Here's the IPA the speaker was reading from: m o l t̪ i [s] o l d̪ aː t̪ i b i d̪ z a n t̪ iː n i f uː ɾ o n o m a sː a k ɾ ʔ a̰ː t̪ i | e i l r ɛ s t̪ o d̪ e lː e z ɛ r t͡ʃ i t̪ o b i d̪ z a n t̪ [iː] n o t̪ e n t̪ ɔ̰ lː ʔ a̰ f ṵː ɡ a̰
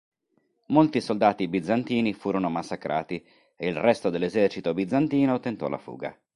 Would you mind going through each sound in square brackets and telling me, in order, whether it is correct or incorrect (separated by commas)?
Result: correct, correct